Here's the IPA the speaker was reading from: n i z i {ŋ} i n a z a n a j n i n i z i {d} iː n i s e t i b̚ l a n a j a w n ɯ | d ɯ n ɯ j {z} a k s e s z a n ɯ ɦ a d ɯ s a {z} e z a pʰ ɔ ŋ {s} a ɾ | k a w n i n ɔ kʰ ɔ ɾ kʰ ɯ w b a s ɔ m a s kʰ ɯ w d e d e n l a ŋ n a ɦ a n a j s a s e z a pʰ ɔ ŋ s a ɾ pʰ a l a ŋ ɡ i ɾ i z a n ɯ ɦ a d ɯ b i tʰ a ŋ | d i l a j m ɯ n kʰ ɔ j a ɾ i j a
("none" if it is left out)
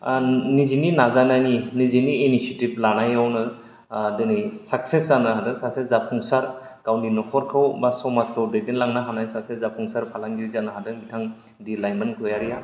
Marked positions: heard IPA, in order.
n, n, s, s, s

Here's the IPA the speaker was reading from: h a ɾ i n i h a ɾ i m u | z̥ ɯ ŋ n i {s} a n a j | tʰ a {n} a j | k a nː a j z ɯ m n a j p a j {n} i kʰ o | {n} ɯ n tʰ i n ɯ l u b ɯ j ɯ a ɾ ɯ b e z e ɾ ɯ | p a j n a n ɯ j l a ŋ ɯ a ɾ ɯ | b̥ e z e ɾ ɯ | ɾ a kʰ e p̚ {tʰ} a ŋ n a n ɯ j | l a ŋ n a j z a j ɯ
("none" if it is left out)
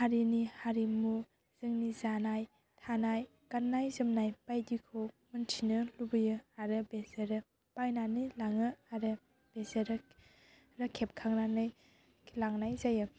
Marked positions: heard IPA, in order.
z, n, d, m, kʰ

